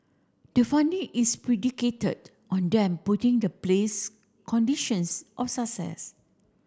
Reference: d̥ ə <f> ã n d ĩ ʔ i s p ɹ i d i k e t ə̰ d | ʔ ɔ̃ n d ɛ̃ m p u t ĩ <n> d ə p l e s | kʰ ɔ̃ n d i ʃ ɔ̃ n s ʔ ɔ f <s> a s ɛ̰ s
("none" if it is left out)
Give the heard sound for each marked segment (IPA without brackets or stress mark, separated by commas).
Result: f, ŋ, s